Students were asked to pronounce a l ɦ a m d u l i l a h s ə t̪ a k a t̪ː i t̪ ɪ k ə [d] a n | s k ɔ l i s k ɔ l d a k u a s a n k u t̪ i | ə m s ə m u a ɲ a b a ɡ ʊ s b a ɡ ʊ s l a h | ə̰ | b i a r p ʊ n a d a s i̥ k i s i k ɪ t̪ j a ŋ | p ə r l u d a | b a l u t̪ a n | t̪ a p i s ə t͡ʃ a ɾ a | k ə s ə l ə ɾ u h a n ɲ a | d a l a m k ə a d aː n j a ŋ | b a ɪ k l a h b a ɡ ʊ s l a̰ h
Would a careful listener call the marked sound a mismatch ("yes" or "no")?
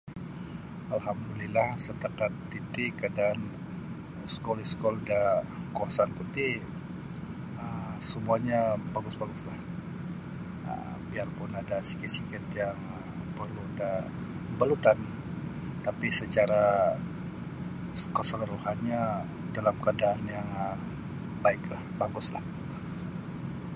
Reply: no